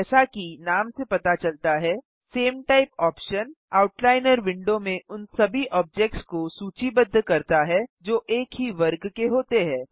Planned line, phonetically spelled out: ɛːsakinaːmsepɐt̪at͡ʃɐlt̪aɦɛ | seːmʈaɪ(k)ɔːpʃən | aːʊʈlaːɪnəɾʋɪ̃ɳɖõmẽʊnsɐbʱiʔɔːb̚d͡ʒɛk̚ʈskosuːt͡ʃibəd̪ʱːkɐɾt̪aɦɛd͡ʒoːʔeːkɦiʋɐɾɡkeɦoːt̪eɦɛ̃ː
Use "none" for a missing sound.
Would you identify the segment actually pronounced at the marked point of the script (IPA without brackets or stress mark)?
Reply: p